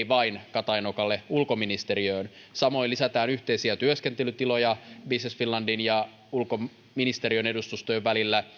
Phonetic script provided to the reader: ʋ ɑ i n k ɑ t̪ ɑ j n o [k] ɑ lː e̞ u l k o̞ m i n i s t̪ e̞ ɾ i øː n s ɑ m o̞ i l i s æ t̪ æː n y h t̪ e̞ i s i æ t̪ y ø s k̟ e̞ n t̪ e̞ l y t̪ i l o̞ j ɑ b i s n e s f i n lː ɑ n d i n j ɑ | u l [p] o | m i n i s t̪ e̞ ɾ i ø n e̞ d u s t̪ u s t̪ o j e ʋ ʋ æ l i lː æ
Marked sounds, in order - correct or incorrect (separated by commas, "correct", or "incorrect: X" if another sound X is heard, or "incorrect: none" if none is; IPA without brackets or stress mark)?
correct, incorrect: k